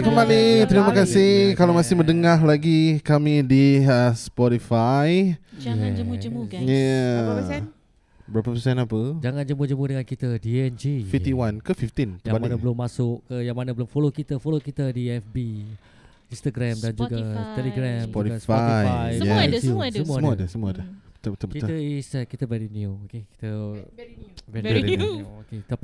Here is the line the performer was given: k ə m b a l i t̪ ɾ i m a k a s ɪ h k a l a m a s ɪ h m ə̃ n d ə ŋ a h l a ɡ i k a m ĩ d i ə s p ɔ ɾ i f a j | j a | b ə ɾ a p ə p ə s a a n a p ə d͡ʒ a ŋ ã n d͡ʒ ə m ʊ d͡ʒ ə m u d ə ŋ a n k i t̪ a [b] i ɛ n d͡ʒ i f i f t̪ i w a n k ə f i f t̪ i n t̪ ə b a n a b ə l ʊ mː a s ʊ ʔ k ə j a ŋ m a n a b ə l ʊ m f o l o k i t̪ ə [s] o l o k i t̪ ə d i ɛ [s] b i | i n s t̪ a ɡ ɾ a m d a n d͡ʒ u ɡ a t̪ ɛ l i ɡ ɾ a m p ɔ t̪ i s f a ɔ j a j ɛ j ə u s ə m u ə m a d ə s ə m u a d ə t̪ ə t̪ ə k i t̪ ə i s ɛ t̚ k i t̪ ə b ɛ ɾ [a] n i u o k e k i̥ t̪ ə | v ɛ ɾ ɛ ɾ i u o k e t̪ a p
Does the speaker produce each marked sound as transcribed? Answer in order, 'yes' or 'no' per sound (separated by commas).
no, no, no, no